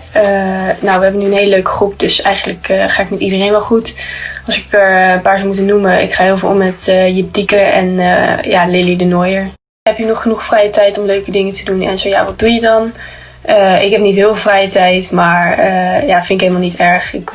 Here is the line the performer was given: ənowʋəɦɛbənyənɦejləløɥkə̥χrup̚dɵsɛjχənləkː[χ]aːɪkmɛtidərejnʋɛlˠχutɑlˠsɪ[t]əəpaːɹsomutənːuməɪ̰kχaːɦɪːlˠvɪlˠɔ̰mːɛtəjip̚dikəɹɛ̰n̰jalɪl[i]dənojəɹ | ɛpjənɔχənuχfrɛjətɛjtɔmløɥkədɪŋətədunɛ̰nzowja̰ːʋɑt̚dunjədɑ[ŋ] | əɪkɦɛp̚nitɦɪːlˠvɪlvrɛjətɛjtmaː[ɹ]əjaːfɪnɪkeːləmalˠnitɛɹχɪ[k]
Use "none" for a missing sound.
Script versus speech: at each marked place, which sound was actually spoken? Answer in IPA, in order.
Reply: χ, k, i, n, ɹ, k

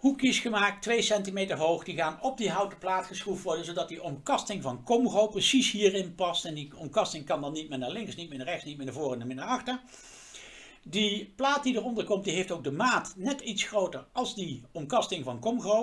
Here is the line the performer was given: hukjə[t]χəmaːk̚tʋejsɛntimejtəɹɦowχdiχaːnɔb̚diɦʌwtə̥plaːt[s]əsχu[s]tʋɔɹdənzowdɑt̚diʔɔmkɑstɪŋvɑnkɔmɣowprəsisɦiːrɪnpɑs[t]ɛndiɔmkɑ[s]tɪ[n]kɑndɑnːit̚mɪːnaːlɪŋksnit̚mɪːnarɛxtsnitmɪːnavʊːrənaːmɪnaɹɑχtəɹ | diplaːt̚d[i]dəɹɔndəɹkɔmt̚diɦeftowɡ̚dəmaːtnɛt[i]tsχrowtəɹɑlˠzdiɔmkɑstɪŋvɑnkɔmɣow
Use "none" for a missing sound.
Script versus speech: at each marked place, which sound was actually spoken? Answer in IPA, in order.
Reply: s, χ, f, t, s, ŋ, i, i

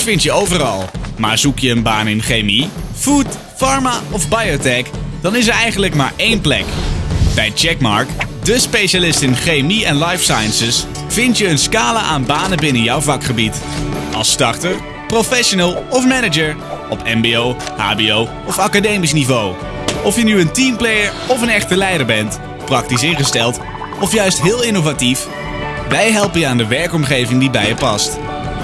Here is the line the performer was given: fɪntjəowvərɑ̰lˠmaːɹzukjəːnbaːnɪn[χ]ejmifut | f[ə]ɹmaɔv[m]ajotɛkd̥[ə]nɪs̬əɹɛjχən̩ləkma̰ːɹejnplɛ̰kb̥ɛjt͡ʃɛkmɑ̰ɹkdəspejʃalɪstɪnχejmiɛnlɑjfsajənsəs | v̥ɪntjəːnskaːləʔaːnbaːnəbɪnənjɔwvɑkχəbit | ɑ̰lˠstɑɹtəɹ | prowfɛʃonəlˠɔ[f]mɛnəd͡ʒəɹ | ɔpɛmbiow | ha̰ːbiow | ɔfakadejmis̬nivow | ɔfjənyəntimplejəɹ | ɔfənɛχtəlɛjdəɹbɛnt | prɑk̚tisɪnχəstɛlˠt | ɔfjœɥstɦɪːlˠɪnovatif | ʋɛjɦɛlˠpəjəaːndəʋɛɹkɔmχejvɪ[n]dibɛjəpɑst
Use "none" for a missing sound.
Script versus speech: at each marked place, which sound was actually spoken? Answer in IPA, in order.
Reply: χ, ɑ, b, ɑ, f, ŋ

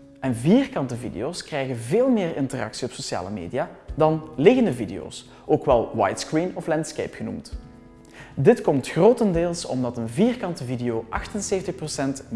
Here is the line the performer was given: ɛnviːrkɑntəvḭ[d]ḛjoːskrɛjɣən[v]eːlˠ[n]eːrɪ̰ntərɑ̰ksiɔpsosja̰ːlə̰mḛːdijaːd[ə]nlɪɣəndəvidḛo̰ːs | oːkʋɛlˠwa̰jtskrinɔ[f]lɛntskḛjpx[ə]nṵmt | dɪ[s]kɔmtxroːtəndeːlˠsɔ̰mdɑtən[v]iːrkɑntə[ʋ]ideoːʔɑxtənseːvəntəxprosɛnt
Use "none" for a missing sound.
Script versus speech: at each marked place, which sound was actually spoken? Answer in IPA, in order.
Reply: d, v, m, ɑ, f, ə, t, v, v

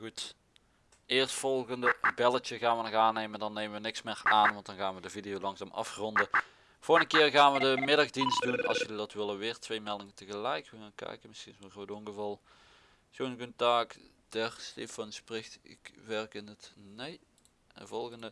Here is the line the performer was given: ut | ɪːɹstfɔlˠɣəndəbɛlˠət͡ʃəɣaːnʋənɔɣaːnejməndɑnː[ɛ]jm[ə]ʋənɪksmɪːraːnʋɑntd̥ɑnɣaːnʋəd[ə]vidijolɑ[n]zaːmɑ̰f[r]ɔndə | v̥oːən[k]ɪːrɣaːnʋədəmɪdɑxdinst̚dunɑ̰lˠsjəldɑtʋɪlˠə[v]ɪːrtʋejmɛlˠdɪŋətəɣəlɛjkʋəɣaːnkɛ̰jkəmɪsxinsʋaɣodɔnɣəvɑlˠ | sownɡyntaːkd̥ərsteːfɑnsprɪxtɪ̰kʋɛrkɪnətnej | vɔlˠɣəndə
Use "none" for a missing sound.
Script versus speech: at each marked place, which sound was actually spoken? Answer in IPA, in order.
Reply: e, ə, ə, ŋ, r, k, ʋ

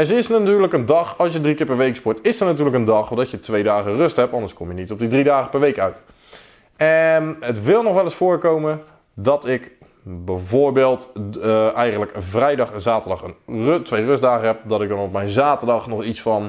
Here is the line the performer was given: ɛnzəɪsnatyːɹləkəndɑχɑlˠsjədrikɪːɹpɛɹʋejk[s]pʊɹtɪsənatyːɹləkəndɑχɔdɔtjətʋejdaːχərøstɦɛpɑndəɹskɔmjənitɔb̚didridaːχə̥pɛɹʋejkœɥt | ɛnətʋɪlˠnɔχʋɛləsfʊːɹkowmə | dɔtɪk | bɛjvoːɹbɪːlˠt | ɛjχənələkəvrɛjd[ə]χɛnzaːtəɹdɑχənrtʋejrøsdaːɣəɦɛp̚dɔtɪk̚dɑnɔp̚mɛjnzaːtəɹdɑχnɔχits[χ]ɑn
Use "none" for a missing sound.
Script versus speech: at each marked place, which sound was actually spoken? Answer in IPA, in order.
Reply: s, ɑ, f

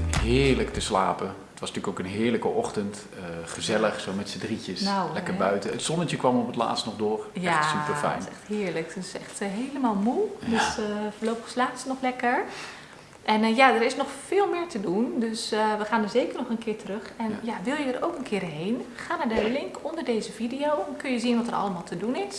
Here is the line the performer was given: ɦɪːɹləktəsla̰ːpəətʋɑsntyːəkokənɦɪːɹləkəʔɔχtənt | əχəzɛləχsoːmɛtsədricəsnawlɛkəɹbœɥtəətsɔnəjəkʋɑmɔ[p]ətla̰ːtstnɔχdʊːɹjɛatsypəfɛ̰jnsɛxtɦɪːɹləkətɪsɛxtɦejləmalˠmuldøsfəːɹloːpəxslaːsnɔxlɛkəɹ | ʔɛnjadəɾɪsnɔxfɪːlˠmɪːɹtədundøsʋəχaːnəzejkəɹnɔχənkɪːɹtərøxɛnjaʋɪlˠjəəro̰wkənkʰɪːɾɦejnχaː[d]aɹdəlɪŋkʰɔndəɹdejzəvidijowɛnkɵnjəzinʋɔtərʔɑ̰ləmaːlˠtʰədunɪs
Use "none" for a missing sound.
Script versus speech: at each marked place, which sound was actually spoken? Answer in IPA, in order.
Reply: p, n

